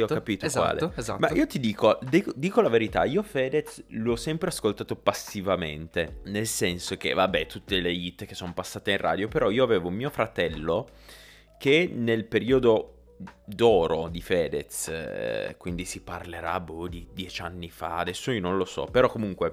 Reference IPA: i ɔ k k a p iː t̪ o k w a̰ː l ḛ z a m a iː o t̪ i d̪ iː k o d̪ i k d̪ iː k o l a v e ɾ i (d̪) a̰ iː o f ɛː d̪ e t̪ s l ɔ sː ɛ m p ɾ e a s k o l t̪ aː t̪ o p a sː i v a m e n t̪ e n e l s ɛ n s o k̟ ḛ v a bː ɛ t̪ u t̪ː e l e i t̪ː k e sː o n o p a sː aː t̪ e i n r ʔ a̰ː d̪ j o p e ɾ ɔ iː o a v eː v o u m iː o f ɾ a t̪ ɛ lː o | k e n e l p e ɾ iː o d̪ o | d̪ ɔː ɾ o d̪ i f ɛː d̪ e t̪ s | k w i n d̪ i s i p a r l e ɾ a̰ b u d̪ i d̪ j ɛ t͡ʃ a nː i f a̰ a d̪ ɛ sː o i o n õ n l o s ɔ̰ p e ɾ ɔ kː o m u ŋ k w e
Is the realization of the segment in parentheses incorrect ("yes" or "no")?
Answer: yes